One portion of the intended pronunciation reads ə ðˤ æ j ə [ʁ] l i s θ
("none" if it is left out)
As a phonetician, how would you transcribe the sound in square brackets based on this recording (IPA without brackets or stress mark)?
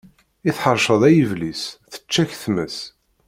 v